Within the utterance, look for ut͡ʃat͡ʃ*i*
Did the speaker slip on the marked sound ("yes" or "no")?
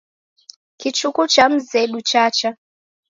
yes